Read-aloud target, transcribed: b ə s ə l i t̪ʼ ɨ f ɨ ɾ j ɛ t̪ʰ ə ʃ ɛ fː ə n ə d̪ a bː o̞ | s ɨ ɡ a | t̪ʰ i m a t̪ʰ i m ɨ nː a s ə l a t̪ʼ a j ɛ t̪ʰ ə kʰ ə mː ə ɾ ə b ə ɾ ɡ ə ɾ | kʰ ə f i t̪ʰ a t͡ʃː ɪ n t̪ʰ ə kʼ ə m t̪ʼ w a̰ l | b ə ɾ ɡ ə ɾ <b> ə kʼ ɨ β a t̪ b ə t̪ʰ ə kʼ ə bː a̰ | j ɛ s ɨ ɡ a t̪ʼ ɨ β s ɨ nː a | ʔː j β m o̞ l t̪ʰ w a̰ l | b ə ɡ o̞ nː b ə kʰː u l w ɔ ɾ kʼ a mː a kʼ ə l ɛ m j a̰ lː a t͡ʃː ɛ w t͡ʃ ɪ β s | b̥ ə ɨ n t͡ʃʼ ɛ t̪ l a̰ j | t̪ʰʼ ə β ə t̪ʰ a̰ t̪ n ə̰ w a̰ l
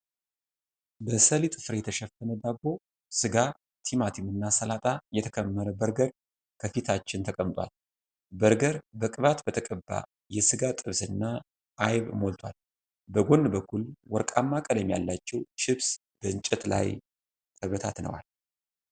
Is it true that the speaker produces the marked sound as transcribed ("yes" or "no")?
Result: yes